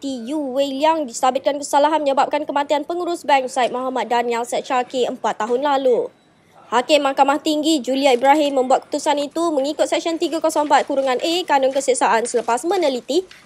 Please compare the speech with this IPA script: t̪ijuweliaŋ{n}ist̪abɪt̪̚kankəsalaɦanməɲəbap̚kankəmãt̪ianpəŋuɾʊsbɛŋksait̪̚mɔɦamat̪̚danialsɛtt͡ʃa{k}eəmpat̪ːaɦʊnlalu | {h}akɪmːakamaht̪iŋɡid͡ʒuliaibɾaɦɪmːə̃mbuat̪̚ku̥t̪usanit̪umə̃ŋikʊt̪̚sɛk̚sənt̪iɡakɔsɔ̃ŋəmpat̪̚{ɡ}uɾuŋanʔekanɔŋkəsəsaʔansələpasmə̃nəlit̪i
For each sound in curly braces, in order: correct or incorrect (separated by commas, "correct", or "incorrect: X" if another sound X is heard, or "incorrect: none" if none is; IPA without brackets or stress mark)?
incorrect: d, correct, correct, incorrect: k